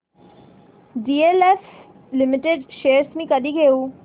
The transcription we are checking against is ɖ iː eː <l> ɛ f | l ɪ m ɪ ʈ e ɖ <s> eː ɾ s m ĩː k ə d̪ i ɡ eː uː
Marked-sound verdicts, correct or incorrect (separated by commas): correct, incorrect